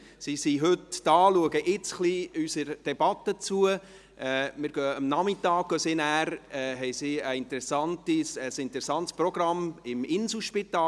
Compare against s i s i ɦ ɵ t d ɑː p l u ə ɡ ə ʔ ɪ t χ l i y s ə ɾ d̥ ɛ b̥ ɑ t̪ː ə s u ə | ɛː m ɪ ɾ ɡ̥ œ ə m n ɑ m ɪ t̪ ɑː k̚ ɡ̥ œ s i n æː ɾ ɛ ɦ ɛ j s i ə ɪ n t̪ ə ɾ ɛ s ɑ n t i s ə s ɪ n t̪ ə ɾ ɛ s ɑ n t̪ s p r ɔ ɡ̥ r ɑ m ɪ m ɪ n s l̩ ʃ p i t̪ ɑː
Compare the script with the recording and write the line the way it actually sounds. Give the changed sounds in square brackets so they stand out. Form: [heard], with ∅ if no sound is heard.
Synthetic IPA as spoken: s i s i ɦ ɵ t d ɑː [∅] l u ə ɡ ə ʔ ɪ [t͡s] χ l i y s ə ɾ d̥ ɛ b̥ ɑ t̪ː ə [t͡s] u ə | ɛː m ɪ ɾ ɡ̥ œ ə m n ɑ m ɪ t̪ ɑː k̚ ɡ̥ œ s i n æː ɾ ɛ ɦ ɛ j s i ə ɪ n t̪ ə ɾ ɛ s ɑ n t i s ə s ɪ n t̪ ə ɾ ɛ s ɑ n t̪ s p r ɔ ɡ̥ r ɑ m ɪ m ɪ n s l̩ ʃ p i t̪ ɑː